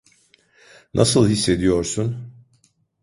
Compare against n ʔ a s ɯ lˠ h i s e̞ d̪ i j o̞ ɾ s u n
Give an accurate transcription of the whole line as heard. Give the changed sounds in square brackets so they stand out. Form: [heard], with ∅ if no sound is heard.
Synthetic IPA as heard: n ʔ a s ɯ lˠ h i [sː] e̞ d̪ i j o̞ ɾ s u n